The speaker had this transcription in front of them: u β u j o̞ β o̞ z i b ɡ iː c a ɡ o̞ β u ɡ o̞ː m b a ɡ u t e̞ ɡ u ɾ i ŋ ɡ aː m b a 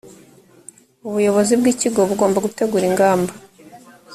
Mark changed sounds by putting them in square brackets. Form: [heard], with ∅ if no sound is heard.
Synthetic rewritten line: u β u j o̞ β o̞ z i b ɡ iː c [i] ɡ o̞ β u ɡ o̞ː m b a ɡ u t e̞ ɡ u ɾ i ŋ ɡ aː m b a